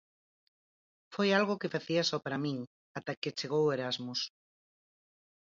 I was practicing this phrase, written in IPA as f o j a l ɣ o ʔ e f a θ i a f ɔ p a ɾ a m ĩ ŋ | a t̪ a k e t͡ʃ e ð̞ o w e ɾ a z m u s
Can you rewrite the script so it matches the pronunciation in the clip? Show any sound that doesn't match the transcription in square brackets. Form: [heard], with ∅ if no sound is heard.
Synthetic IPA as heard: f o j a l ɣ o [k] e f a θ i a [s] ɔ p a ɾ a m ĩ ŋ | a t̪ a k e t͡ʃ e [ɣ̞] o w e ɾ a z m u s